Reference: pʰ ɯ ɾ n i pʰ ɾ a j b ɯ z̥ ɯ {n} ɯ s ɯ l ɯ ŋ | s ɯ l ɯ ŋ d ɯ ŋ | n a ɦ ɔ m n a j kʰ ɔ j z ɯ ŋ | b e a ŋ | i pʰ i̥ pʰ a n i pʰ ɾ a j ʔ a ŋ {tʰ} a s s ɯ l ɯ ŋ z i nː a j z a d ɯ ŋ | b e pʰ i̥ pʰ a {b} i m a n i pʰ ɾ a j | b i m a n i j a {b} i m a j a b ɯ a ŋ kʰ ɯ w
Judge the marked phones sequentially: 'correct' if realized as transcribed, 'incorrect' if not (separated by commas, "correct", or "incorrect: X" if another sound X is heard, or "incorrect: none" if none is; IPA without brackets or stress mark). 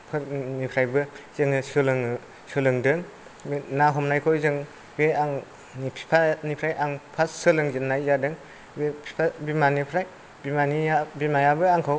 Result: incorrect: ŋ, incorrect: pʰ, correct, correct